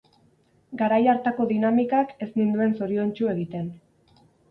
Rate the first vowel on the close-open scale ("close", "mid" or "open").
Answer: open